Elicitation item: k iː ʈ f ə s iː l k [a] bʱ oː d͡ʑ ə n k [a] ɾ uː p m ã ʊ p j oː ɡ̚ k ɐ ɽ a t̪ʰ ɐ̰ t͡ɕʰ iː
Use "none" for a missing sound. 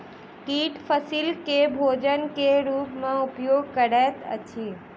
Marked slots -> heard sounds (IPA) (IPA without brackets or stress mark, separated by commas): e, e